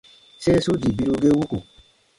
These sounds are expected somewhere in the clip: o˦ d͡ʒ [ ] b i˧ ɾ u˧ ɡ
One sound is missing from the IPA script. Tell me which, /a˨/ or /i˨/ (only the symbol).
i˨